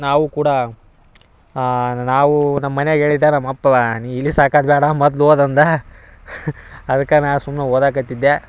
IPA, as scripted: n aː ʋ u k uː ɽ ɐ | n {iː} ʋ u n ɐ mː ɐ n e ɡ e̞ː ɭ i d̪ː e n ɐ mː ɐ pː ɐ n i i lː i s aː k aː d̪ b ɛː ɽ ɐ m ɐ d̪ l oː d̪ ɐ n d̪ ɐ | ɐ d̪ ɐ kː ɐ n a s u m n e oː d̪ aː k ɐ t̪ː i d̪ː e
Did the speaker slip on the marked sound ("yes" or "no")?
yes